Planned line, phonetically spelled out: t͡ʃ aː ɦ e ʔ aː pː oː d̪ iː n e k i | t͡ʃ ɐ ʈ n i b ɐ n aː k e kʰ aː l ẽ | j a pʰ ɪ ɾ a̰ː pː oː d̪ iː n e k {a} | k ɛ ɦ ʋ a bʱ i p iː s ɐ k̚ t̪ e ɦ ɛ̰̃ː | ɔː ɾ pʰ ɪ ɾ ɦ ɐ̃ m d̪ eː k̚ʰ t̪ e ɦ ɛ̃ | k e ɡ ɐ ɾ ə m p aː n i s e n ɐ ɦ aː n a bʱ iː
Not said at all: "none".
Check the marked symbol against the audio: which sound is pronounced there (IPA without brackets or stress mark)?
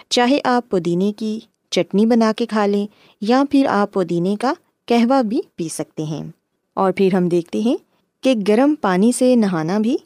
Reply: a